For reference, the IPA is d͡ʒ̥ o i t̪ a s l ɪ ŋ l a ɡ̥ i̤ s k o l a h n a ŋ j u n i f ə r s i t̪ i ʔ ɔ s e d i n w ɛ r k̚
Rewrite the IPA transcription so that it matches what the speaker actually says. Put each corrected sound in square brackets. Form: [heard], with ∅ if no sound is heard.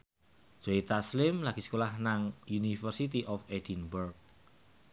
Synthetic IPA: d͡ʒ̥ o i t̪ a s l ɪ [m] l a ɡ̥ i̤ s k o l a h n a ŋ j u n i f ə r s i t̪ i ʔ ɔ [f] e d i n [b] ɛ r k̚